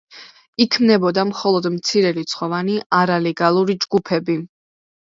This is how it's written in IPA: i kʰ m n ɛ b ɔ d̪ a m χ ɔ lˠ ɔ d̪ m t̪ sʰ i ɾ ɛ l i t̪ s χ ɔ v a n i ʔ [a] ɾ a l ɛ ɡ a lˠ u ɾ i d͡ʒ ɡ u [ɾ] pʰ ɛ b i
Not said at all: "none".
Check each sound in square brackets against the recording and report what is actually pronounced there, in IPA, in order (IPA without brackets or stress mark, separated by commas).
a, none